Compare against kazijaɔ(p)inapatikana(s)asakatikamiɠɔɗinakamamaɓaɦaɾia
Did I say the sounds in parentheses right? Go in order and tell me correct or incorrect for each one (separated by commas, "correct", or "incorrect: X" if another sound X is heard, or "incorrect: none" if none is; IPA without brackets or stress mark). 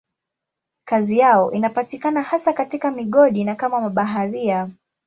incorrect: ʔ, incorrect: h